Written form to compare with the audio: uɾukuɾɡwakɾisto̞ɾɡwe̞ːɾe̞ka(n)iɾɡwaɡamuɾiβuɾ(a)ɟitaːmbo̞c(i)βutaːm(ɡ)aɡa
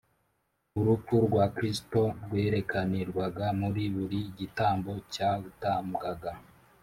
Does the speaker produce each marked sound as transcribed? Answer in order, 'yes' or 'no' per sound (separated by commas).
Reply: yes, no, no, yes